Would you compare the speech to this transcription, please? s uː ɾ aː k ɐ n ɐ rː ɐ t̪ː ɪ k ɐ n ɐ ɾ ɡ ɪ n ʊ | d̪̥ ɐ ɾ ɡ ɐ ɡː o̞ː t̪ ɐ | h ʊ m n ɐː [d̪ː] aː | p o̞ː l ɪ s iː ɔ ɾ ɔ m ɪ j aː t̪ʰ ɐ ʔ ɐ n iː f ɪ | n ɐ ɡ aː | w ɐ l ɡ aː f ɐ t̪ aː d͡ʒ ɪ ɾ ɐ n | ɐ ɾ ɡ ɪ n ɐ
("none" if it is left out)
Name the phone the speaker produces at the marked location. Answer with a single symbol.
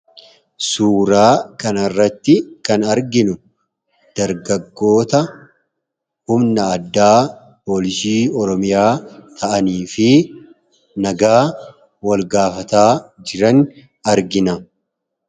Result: d̪ː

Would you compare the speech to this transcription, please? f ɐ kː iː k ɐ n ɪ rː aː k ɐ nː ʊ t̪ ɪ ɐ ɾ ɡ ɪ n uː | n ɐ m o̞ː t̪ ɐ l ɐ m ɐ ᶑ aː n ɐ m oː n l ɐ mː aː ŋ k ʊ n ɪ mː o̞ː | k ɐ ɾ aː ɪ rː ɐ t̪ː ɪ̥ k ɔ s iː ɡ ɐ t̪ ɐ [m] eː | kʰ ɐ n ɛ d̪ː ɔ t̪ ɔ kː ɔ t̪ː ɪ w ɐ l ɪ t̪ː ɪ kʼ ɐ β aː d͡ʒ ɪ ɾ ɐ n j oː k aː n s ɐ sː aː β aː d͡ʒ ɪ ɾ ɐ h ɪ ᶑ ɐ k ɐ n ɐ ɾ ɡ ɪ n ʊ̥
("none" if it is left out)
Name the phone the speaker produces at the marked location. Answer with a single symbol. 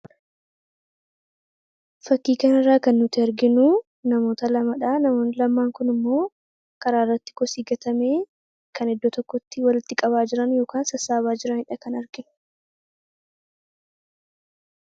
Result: m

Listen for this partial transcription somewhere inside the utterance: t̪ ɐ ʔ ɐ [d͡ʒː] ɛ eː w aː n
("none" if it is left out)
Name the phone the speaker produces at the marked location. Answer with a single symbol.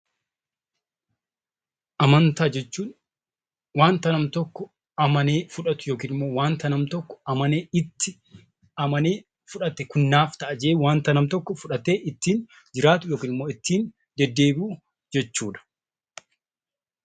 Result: d͡ʒ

